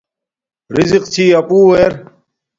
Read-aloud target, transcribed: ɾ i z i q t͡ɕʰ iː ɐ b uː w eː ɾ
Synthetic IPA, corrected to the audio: ɾ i z i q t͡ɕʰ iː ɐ p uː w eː ɾ

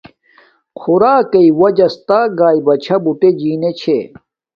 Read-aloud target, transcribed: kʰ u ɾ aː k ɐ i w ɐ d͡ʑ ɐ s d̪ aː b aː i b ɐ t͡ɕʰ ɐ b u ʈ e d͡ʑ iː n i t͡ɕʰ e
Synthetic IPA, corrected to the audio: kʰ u ɾ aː k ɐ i w ɐ d͡ʑ ɐ s t̪ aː ɡ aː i b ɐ t͡ɕʰ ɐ b u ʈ e d͡ʑ iː n e t͡ɕʰ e

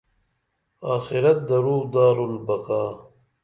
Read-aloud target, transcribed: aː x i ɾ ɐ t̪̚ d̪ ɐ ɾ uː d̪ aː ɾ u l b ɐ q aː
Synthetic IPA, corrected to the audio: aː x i ɾ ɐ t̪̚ d̪ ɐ ɾ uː d̪ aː ɾ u l b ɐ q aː

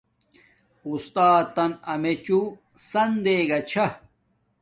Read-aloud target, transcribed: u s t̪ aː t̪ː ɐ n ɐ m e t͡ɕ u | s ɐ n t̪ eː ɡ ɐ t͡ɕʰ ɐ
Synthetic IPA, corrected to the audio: u s t̪ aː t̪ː ɐ n ɐ m e t͡ɕ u | s ɐ n d̪ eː ɡ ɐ t͡ɕʰ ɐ

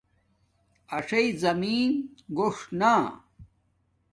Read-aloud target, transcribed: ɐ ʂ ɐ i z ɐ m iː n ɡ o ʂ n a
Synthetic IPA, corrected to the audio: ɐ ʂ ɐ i z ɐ m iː n ɡ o ʂ n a

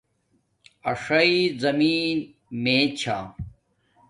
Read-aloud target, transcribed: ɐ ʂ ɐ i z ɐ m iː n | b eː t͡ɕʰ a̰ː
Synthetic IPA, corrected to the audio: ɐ ʂ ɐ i z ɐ m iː n | m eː t͡ɕʰ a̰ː

